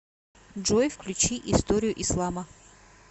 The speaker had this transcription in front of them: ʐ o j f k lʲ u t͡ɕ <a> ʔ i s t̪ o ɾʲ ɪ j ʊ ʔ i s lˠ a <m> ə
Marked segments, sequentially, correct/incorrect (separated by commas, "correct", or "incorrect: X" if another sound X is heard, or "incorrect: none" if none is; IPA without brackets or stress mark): incorrect: i, correct